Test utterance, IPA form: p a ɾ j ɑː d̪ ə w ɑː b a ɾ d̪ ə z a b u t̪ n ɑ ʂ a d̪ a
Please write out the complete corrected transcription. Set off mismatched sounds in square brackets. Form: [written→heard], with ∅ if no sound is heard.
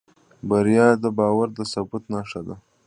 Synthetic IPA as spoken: [p→b] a ɾ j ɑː d̪ ə [w→b] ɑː [b→w] a ɾ d̪ ə [z→s] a b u t̪ n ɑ ʂ a d̪ a